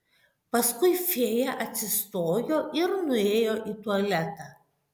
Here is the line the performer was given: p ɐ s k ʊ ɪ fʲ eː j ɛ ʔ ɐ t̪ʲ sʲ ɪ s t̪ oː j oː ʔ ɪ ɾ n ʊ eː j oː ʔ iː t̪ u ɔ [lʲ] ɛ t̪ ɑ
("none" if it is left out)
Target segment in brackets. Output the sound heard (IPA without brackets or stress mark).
lʲ